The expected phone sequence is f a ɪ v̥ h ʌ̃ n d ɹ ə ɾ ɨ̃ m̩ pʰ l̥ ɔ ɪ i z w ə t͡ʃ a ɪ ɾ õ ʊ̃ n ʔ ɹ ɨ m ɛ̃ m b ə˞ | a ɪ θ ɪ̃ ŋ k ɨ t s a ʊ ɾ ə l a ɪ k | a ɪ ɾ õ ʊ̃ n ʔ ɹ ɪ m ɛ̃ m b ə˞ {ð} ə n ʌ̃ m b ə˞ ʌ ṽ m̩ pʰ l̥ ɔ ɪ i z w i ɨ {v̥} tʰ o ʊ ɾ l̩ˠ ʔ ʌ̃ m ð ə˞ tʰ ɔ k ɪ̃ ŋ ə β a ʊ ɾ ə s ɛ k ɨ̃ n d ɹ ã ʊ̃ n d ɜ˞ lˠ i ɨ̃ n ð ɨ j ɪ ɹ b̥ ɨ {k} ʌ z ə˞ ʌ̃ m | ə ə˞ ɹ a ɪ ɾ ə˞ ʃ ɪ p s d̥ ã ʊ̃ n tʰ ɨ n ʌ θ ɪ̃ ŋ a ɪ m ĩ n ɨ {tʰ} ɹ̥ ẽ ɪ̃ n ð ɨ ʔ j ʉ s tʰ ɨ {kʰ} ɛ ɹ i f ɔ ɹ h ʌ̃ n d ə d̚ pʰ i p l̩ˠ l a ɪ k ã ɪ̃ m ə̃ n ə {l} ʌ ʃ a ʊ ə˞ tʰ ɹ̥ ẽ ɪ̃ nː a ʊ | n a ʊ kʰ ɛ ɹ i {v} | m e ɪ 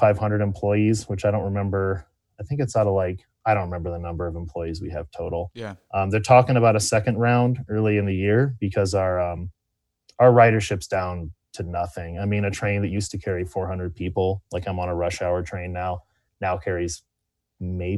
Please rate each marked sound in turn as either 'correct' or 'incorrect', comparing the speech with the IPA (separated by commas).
correct, correct, incorrect, correct, correct, incorrect, incorrect